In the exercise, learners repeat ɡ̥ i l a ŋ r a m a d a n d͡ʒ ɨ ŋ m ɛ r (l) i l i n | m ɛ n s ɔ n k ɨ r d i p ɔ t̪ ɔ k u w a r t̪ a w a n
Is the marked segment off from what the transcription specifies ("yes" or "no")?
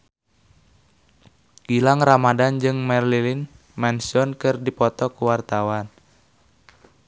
no